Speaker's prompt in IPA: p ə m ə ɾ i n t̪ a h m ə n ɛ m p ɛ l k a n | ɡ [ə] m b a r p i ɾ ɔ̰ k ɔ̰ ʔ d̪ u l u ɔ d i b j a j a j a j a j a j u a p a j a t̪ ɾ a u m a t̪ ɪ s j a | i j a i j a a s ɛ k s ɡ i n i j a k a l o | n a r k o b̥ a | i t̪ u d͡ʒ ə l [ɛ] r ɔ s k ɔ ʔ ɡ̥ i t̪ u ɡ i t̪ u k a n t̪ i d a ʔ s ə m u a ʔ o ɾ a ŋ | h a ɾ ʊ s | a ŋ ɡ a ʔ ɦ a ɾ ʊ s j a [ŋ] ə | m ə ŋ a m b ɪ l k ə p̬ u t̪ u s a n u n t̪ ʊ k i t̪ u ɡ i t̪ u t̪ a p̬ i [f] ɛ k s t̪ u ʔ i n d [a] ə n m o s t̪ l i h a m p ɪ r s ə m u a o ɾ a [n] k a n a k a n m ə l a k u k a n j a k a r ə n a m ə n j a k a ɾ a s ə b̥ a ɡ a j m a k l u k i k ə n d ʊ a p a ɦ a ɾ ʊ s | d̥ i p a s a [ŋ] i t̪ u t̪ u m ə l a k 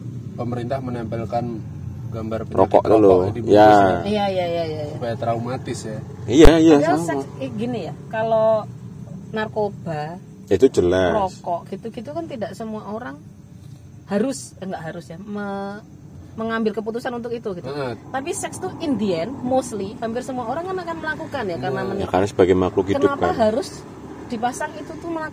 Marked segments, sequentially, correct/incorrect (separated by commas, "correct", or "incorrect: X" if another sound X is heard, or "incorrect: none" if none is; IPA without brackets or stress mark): incorrect: a, incorrect: a, incorrect: m, incorrect: s, incorrect: i, incorrect: ŋ, correct